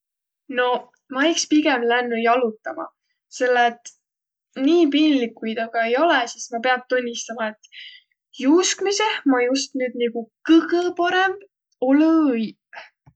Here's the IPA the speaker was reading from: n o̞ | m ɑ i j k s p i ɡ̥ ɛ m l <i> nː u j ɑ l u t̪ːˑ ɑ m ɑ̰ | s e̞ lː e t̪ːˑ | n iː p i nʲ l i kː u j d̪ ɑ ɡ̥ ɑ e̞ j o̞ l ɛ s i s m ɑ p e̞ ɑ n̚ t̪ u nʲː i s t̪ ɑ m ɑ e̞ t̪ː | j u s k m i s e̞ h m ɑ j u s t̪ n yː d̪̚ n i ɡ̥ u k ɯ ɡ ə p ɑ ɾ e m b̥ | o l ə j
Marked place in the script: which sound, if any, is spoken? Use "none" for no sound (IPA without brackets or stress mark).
æ